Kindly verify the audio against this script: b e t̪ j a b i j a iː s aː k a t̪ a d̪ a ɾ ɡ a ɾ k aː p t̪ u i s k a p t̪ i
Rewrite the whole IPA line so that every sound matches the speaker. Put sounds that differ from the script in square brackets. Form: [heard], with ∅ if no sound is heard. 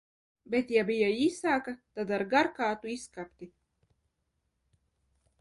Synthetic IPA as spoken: b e t̪ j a b i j a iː s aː k a t̪ a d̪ a ɾ ɡ a ɾ k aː [∅] t̪ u i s k a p t̪ i